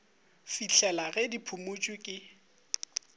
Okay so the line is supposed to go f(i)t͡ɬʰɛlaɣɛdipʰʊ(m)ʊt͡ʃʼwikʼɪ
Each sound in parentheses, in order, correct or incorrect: correct, correct

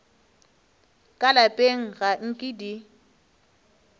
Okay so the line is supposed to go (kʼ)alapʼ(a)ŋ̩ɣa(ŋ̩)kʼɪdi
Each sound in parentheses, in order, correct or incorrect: correct, incorrect: e, correct

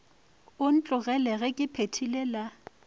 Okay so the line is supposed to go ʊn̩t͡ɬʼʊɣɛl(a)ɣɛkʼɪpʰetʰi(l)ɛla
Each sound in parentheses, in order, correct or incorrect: incorrect: ɛ, correct

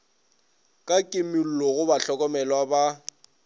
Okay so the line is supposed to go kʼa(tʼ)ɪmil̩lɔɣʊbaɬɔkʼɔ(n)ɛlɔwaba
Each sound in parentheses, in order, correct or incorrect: incorrect: kʼ, incorrect: m

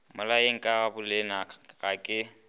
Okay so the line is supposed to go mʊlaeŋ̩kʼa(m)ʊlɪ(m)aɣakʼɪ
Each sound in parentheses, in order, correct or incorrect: incorrect: b, incorrect: n

